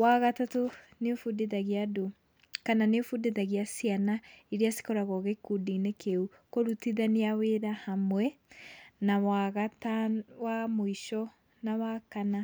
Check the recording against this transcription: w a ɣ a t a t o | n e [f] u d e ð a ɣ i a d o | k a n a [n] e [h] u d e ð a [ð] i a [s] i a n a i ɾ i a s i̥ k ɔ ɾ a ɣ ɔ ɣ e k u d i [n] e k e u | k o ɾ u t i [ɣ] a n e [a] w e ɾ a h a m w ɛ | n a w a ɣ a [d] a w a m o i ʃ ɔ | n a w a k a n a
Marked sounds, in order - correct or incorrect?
correct, correct, incorrect, incorrect, correct, correct, incorrect, correct, incorrect

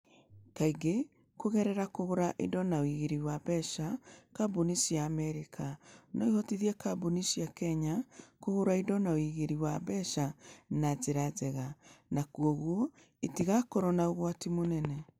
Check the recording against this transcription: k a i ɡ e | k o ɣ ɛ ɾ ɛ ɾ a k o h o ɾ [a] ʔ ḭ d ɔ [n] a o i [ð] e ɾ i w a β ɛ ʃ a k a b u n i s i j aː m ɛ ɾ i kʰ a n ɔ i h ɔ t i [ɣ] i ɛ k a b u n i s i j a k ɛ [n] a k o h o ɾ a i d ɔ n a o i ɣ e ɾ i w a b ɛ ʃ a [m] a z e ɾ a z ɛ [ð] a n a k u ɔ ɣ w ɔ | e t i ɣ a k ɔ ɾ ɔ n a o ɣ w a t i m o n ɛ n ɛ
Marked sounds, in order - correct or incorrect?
correct, correct, incorrect, incorrect, incorrect, incorrect, incorrect

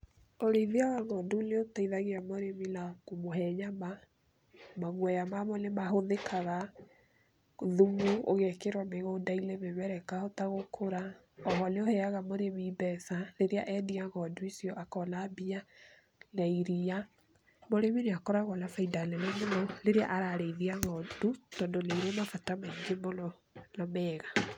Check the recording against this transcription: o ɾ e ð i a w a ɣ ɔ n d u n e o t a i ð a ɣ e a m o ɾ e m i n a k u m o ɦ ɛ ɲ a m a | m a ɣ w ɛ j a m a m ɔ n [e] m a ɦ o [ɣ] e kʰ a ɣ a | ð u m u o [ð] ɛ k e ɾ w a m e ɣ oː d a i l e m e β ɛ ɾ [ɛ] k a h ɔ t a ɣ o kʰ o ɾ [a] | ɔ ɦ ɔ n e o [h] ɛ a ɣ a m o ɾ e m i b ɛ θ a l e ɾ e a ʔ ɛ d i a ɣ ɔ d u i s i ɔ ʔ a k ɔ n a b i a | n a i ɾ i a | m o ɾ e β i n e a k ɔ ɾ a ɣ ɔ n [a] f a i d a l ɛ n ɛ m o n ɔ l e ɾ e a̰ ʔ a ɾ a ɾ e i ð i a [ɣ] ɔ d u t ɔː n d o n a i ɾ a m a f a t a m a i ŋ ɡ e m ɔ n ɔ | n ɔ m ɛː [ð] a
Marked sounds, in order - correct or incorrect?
correct, incorrect, incorrect, correct, correct, correct, correct, correct, incorrect

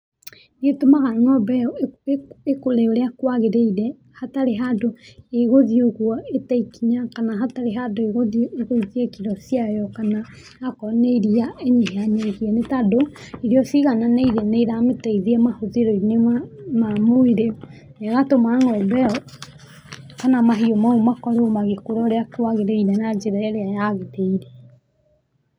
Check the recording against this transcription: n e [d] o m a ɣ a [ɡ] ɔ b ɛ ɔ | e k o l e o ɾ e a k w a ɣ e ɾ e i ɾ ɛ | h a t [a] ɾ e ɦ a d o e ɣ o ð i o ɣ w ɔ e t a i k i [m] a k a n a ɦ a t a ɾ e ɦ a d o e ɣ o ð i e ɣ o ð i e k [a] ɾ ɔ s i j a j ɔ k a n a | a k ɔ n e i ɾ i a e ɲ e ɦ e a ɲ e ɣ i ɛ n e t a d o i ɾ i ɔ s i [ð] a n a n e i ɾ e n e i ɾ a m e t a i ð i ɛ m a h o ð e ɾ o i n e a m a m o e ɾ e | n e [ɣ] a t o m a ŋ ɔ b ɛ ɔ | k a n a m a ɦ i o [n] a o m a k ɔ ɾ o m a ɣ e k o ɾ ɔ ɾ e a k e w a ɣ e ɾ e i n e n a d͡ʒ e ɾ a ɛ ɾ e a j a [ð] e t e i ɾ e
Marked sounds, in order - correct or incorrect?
incorrect, incorrect, correct, incorrect, incorrect, incorrect, correct, incorrect, incorrect

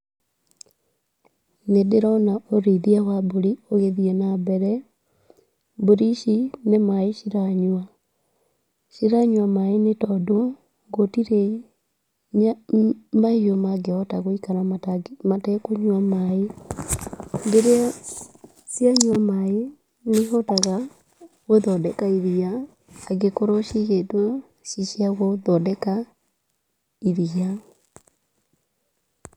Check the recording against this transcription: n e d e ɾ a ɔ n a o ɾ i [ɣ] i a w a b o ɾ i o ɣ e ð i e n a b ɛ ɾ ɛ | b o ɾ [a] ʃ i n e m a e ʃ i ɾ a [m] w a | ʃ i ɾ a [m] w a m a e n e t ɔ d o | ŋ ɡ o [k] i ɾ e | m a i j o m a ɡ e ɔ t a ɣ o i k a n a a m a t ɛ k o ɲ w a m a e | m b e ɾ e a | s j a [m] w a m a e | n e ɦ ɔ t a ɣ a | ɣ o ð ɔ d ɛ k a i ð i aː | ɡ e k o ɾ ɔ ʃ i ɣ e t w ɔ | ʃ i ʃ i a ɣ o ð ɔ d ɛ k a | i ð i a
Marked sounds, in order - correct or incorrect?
incorrect, incorrect, incorrect, incorrect, incorrect, incorrect

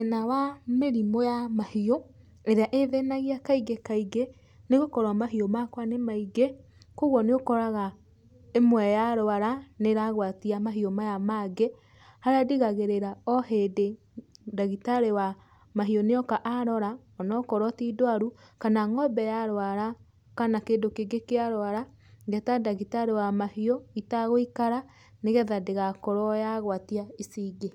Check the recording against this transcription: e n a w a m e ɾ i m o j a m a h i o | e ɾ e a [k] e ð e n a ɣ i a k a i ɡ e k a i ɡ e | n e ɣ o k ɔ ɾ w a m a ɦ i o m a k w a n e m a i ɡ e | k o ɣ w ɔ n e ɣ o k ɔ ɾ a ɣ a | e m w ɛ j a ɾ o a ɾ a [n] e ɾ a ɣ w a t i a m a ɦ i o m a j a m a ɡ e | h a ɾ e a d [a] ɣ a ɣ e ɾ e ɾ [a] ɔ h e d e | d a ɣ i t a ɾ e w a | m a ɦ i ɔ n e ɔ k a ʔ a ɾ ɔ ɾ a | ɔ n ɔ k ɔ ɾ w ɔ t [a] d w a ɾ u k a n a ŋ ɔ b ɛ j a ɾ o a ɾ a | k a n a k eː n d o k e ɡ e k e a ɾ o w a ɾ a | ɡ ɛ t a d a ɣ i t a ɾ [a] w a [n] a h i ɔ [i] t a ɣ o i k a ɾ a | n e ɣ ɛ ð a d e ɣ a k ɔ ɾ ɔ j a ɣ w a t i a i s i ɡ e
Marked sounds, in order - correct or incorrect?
incorrect, correct, incorrect, correct, incorrect, incorrect, incorrect, correct

